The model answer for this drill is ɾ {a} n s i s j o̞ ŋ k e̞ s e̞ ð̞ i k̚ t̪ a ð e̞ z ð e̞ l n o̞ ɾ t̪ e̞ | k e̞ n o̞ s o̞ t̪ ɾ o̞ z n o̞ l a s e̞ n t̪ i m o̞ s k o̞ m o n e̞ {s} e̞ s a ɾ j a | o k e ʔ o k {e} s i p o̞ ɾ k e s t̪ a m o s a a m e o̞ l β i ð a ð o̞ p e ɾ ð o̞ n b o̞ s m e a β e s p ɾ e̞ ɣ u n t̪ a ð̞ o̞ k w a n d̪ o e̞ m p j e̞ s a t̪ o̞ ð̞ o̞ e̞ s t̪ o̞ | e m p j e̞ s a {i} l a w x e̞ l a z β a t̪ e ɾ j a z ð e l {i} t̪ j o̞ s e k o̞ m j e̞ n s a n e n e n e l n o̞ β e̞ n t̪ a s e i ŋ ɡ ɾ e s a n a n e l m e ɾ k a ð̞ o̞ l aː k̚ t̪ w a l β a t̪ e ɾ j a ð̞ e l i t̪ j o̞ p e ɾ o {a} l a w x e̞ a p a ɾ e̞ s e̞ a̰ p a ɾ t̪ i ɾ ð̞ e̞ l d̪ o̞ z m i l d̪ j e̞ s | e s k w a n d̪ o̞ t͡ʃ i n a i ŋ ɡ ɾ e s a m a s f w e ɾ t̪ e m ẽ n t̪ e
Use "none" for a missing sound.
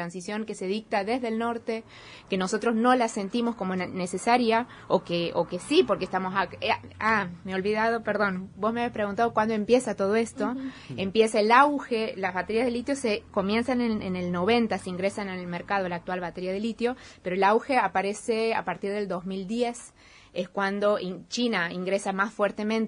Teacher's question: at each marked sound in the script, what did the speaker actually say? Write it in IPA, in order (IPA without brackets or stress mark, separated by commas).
a, s, e, e, i, e